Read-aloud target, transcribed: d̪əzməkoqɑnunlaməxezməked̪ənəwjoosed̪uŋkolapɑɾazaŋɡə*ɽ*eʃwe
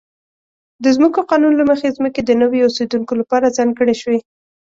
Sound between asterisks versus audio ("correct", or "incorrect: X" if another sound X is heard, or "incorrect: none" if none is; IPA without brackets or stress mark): correct